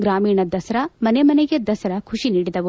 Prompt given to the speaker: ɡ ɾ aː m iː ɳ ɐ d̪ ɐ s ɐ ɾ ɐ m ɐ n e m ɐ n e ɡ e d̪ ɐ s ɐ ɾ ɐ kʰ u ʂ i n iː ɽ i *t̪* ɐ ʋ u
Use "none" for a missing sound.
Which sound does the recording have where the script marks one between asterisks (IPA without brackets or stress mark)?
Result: d̪